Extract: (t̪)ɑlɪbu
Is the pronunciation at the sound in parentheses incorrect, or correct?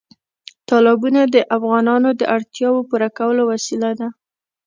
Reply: correct